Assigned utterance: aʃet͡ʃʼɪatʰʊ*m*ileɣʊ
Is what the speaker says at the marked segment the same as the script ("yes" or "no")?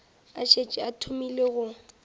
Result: yes